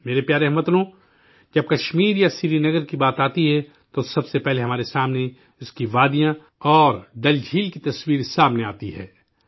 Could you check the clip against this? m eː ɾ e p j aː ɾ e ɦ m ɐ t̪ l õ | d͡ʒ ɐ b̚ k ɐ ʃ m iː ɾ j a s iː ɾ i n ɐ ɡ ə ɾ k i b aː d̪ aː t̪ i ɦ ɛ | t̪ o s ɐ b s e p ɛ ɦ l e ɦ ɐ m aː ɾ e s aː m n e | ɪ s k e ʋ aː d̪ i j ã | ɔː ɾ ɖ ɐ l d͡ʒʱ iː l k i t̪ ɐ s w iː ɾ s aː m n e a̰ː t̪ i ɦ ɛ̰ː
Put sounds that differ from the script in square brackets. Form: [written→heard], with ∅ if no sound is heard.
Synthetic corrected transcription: m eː ɾ e p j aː ɾ e ɦ m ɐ t̪ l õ | d͡ʒ ɐ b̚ k ɐ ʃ m iː ɾ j a s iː ɾ i n ɐ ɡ ə ɾ k i b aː [d̪→t̪] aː t̪ i ɦ ɛ | t̪ o s ɐ b s e p ɛ ɦ l e ɦ ɐ m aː ɾ e s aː m n e | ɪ s k [e→i] ʋ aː d̪ i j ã | ɔː ɾ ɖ ɐ l d͡ʒʱ iː l k i t̪ ɐ s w iː ɾ s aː m n e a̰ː t̪ i ɦ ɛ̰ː